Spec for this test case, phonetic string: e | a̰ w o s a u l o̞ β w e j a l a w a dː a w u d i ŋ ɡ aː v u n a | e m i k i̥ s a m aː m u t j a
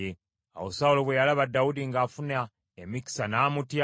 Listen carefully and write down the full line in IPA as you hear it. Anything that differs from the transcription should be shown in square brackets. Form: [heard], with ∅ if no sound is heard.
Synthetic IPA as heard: e | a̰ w o s a u l o̞ β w e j a l a [β] a dː a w u d i ŋ ɡ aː [f] u n a | e m i k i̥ s a [n] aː m u t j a